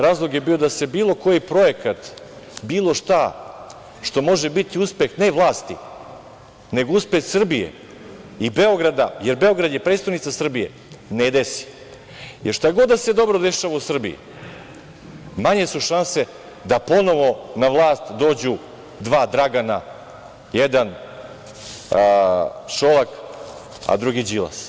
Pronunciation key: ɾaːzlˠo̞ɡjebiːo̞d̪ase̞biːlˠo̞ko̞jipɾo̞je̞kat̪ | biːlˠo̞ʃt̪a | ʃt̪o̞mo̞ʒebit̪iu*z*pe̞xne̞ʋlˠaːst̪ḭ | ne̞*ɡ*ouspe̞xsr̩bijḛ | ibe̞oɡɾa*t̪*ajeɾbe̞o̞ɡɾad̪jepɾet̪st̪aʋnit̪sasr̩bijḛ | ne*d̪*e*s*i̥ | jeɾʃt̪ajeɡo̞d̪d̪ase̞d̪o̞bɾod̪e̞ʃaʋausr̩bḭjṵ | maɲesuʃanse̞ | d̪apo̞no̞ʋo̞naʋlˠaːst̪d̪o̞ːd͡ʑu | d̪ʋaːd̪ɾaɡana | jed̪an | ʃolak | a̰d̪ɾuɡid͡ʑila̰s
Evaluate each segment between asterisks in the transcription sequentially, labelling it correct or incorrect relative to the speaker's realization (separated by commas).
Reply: incorrect, correct, incorrect, correct, correct